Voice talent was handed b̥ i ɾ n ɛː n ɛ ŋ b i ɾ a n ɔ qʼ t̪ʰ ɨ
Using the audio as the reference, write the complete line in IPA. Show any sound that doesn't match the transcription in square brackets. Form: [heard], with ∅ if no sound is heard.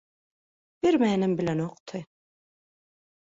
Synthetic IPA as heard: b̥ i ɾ [m] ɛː n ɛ [m] b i [l] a n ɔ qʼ t̪ʰ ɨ